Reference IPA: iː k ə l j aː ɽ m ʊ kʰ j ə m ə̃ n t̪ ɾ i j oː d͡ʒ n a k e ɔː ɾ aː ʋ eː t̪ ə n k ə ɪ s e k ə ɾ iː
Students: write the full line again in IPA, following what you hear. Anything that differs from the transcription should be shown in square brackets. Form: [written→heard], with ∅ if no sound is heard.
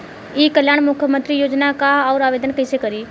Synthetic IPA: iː k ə l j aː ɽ m ʊ kʰ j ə m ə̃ n t̪ ɾ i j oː d͡ʒ n a k [e→a] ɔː ɾ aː ʋ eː [t̪→d̪] ə n k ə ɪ s e k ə ɾ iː